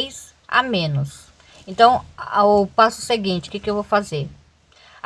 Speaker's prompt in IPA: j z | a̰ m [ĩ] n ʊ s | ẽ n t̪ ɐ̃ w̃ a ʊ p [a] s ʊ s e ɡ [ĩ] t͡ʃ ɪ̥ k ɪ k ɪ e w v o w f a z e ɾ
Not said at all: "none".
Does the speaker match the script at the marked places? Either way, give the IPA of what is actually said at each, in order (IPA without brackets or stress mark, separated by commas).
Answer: ẽ, a, ĩ